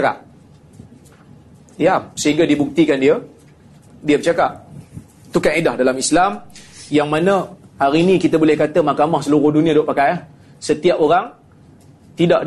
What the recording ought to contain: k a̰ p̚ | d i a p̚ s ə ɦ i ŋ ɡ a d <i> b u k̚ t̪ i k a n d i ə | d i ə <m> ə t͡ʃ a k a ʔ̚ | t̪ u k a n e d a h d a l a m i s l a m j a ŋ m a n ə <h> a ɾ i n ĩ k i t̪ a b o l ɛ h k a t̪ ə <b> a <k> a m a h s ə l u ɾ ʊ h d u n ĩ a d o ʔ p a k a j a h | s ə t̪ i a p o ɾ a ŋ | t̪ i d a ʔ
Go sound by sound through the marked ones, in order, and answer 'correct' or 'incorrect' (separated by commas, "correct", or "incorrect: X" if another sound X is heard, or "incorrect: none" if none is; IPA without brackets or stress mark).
correct, incorrect: b, correct, incorrect: m, correct